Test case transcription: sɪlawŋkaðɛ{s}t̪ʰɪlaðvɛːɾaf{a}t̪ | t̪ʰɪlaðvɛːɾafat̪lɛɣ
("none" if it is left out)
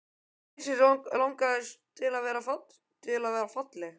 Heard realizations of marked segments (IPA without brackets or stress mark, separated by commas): s, a